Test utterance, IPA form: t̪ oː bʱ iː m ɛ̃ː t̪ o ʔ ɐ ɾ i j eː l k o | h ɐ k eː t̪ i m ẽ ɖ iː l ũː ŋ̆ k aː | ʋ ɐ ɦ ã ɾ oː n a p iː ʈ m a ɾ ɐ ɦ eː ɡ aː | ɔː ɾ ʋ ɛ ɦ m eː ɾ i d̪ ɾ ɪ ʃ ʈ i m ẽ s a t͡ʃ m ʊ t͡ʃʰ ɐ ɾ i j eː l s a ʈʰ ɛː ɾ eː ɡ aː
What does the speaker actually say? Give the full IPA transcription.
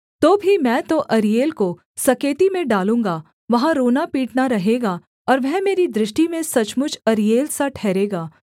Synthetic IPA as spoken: t̪ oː bʱ i m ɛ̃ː t̪ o ʔ ɐ ɾ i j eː l k o | s ɐ k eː t̪ i m ẽ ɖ aː l ũː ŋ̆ ɡ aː | ʋ ɐ ɦ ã ɾ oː n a p iː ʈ n a ɾ ɐ ɦ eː ɡ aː | ɔː ɾ ʋ ɛ ɦ m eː ɾ i d̪ ɾ ɪ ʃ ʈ i m ẽ s ɐ t͡ʃ m ʊ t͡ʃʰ ɐ ɾ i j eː l s a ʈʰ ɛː ɾ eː ɡ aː